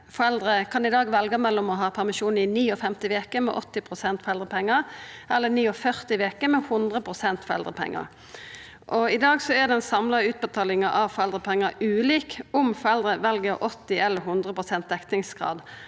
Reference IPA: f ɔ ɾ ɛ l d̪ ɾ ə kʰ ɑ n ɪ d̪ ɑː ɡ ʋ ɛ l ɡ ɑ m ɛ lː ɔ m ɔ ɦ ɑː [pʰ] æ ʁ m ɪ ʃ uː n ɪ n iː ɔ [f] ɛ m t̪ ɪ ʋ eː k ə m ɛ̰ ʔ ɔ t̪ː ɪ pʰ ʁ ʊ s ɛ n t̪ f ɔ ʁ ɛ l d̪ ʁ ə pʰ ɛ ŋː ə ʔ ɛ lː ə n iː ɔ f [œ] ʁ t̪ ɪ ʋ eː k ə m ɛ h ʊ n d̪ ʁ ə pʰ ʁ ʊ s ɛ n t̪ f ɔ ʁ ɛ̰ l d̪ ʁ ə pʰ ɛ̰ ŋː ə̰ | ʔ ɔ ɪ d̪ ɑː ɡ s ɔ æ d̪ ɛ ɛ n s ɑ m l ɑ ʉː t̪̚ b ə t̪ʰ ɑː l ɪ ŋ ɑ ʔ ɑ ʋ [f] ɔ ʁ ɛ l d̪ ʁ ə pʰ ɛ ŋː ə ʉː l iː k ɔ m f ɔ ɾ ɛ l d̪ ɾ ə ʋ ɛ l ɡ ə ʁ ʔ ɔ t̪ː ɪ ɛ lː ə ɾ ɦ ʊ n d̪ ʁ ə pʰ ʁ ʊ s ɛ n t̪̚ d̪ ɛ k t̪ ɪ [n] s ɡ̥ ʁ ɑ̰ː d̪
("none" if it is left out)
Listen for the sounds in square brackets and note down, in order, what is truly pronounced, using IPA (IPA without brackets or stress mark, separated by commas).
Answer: pʰ, f, œ, f, ŋ